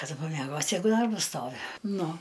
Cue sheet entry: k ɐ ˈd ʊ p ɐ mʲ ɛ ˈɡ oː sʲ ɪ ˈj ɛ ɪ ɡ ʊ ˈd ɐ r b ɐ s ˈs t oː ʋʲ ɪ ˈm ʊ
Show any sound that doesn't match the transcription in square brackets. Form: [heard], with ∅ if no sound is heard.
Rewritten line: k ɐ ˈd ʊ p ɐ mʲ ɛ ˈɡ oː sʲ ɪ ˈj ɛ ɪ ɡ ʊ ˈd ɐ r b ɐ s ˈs t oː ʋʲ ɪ [ˈn] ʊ